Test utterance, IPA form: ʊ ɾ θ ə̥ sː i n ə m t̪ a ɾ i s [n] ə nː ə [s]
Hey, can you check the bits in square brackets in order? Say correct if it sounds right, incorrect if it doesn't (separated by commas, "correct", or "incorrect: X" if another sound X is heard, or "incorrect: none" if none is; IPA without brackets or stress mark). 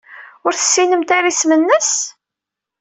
incorrect: m, correct